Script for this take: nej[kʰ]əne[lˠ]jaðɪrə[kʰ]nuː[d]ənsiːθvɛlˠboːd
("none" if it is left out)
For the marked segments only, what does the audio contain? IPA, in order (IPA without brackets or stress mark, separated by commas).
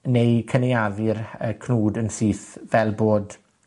kʰ, none, kʰ, d